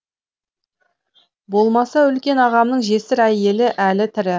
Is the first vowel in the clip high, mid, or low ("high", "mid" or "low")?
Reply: mid